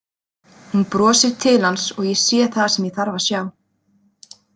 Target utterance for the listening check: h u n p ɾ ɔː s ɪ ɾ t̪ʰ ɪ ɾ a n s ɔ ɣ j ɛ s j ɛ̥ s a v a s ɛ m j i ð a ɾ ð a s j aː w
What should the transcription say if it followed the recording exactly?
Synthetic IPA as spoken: h u n p ɾ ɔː s ɪ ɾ t̪ʰ ɪ l a n s ɔ ɣ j ɛ s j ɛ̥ θ a ð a s ɛ m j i θ a ɾ v a s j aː w